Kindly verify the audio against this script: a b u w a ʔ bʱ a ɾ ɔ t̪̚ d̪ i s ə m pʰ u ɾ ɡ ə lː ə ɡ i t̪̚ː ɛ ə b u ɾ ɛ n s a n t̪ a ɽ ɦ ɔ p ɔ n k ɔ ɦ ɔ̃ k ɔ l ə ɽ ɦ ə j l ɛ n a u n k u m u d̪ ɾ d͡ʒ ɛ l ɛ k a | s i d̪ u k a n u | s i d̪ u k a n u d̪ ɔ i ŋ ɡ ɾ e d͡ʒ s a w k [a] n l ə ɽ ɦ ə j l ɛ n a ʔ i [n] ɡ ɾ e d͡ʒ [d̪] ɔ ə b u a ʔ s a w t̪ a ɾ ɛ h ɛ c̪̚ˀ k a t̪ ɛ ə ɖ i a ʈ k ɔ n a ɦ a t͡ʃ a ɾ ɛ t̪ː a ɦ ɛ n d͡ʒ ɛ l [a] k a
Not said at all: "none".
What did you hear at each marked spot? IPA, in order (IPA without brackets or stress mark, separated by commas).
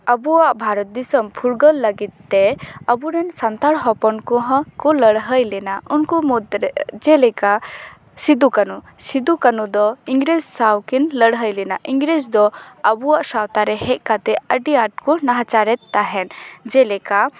i, ŋ, d̪, ɛ